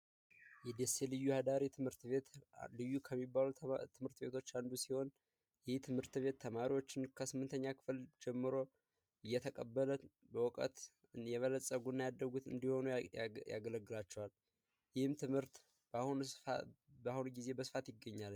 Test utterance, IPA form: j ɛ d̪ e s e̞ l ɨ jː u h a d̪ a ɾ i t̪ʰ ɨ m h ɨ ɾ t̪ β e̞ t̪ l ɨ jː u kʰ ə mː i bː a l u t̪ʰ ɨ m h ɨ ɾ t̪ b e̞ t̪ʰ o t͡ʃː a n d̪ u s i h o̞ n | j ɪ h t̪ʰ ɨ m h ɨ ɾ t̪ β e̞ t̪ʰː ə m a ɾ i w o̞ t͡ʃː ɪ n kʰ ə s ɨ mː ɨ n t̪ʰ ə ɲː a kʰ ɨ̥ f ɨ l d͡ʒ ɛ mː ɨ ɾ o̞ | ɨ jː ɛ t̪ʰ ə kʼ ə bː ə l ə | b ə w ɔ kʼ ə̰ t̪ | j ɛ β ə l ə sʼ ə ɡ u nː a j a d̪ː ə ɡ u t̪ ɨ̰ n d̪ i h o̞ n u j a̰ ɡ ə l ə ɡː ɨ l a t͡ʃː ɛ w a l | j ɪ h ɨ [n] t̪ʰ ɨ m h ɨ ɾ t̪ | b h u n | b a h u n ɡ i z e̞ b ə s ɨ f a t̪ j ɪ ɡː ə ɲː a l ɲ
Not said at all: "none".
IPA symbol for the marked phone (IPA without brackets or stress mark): m